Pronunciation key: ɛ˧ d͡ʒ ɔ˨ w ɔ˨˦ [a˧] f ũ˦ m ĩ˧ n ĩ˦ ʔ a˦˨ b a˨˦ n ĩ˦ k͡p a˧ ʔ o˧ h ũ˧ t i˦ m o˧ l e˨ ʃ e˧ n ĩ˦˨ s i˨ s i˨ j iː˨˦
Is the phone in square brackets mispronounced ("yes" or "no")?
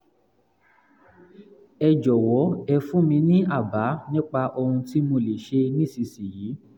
yes